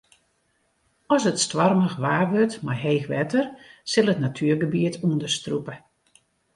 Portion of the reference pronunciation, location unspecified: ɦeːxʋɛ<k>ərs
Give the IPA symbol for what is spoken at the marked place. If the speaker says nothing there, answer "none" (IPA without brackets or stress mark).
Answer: t